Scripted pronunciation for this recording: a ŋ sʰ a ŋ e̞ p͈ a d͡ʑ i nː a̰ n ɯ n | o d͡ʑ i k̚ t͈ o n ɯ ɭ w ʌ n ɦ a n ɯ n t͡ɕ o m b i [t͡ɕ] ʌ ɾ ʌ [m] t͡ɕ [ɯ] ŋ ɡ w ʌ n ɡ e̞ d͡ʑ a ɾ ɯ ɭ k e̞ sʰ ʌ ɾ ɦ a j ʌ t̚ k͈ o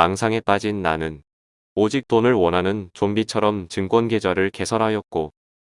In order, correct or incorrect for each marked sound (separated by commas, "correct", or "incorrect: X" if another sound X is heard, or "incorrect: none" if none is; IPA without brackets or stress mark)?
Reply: incorrect: t͡ɕʰ, correct, correct